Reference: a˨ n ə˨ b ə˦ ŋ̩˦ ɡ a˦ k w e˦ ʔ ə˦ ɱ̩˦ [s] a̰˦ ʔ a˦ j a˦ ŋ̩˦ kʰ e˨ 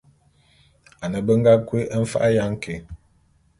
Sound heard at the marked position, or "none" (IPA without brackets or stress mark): f